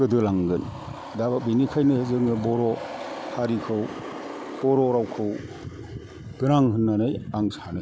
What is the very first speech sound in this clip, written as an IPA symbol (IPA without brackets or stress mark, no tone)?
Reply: ɯ